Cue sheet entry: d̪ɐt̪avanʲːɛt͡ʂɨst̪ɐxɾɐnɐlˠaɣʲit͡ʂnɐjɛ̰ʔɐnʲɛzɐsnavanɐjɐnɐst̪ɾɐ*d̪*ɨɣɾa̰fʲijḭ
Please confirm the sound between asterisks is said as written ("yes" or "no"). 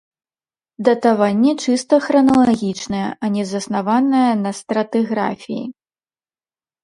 no